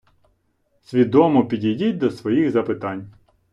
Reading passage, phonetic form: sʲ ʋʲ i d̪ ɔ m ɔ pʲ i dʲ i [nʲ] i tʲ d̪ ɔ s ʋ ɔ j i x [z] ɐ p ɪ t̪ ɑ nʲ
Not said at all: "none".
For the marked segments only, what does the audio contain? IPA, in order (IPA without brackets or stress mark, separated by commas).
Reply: dʲ, z